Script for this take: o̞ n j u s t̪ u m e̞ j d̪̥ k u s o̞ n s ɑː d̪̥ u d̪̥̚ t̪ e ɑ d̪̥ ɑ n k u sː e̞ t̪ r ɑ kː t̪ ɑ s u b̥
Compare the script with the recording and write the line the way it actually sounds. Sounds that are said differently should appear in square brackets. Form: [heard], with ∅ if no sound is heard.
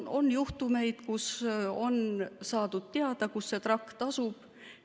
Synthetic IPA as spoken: o̞ n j u [h] t̪ u m e̞ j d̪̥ k u s o̞ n s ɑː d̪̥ u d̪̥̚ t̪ e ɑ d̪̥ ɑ [∅] k u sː e̞ t̪ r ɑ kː t̪ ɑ s u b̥